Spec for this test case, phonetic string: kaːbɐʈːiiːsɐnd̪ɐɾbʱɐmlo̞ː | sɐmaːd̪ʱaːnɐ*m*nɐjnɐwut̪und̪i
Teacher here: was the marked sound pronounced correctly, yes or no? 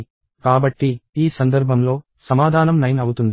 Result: yes